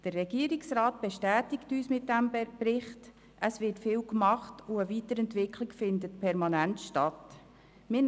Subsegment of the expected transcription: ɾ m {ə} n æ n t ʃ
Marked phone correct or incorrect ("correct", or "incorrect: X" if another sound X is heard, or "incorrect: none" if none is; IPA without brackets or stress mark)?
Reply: incorrect: ɑ